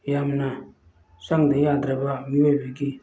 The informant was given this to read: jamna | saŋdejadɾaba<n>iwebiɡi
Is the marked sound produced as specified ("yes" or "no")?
no